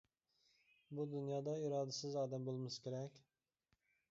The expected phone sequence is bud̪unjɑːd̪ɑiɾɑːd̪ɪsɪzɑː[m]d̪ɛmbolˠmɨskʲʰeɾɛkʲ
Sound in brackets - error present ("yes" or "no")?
yes